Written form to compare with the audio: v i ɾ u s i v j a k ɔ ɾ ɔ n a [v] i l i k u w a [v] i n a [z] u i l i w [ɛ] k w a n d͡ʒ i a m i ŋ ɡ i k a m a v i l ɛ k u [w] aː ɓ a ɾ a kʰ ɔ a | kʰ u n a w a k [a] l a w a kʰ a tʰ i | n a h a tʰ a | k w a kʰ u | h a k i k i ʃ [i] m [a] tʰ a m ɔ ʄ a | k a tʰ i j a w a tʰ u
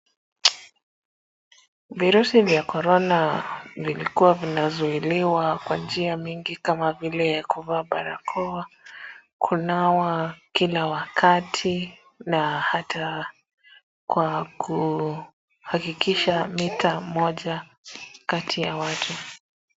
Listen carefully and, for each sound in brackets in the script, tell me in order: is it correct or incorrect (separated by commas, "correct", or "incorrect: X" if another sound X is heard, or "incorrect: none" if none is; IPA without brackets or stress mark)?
correct, correct, correct, incorrect: a, incorrect: v, incorrect: i, incorrect: a, incorrect: i